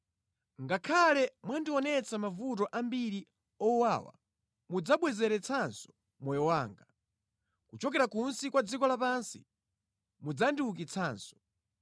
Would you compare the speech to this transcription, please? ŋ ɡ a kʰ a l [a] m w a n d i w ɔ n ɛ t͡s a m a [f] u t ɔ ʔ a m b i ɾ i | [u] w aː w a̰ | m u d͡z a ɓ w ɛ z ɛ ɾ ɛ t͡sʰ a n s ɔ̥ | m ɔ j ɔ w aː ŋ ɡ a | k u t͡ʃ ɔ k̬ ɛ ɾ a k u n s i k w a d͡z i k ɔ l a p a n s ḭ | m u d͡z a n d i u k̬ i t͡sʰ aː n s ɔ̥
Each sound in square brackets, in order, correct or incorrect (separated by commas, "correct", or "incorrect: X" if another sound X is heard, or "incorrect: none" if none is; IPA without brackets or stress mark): incorrect: ɛ, incorrect: v, incorrect: ɔ